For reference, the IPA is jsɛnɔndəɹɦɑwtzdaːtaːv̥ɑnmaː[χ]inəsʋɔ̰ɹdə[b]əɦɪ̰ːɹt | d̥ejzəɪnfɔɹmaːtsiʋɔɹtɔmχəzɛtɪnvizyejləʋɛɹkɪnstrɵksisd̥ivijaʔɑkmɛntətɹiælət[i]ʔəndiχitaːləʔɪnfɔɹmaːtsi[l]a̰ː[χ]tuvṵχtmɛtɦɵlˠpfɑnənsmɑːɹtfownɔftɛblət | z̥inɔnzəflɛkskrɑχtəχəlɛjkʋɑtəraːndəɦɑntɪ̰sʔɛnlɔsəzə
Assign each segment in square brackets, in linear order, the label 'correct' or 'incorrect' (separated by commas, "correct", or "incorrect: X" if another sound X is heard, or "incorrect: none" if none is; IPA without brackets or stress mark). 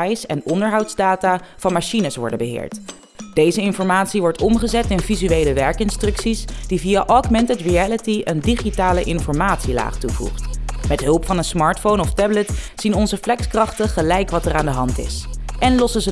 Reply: incorrect: ʃ, correct, correct, correct, correct